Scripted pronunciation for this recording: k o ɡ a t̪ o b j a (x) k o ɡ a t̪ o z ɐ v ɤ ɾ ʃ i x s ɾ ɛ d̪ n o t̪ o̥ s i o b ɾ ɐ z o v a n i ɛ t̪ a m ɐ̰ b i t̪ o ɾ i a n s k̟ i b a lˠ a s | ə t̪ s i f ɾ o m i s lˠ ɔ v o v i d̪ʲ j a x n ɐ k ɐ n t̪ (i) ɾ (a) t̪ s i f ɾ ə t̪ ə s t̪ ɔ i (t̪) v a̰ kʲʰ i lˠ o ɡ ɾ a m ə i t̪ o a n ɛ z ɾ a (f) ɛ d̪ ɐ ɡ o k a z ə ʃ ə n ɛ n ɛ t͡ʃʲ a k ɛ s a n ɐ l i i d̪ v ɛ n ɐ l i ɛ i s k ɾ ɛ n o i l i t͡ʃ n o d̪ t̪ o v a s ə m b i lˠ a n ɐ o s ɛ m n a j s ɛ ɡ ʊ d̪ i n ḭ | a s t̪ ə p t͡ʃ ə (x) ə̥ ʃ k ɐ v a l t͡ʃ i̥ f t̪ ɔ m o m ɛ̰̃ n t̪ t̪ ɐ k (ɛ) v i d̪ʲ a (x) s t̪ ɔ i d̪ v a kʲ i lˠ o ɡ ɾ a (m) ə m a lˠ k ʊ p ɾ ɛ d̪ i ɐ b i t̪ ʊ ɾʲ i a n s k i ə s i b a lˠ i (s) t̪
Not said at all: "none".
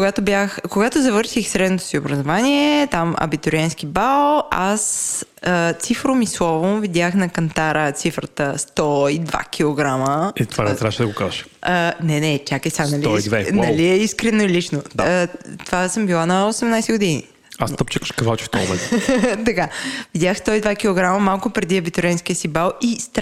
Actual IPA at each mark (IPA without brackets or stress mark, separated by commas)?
x, a, ə, d̪, ʃ, k, a, x, m, s